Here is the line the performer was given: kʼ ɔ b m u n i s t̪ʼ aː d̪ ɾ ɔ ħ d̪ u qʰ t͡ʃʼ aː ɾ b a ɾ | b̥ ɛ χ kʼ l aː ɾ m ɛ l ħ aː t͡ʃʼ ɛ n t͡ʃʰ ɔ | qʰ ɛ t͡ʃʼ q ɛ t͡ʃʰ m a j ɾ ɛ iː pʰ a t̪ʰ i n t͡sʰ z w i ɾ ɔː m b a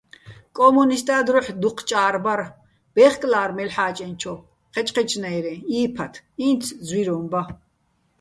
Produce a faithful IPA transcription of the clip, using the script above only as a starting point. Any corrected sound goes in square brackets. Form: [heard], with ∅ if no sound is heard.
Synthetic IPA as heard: kʼ ɔ [∅] m u n i s t̪ʼ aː d̪ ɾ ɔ ħ d̪ u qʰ t͡ʃʼ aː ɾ b a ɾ | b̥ ɛ χ kʼ l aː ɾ m ɛ l ħ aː t͡ʃʼ ɛ n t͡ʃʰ ɔ | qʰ ɛ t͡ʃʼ q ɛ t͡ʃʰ [n] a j ɾ ɛ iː pʰ a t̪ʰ i n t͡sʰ z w i ɾ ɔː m b a